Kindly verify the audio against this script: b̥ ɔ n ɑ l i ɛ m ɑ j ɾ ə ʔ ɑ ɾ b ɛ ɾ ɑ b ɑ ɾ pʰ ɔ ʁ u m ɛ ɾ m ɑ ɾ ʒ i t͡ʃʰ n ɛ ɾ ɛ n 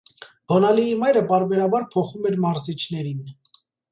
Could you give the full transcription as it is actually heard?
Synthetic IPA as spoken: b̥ ɔ n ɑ l i i m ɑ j ɾ ə p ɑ ɾ b ɛ ɾ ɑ b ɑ ɾ pʰ ɔ χ u m ɛ ɾ m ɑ ɾ z i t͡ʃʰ n ɛ ɾ i n